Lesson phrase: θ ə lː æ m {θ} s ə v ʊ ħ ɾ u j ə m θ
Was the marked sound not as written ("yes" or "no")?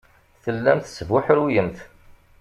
no